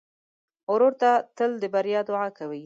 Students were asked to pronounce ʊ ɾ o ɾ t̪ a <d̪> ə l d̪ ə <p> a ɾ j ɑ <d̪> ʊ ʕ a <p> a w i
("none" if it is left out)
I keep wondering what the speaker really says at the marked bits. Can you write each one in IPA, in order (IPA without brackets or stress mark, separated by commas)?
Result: t̪, b, d̪, k